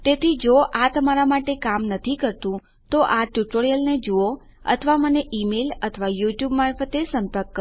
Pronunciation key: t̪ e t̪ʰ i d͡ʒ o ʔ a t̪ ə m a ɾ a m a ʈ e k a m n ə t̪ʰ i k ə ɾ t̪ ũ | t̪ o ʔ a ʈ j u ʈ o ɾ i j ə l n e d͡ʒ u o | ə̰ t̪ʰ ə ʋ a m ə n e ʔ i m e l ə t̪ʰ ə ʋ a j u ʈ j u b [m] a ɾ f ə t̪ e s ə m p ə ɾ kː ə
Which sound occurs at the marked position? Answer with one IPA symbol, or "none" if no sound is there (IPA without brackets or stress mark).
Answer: m